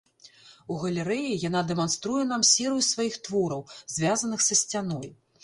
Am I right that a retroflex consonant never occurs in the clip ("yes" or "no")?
yes